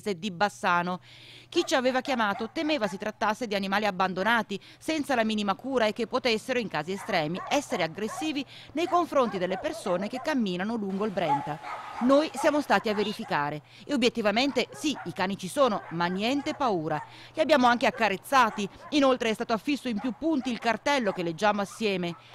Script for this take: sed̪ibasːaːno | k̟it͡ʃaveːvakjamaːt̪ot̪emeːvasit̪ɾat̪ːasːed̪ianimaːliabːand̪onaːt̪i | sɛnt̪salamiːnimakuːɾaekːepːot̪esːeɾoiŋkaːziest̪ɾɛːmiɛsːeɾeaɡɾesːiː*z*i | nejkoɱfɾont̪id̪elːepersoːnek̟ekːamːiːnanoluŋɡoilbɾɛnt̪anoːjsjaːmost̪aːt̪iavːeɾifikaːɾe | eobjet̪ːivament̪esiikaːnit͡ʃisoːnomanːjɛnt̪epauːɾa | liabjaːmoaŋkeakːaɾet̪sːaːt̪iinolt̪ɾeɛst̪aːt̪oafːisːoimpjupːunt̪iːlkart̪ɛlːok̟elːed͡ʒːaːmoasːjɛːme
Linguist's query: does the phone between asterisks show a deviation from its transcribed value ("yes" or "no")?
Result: yes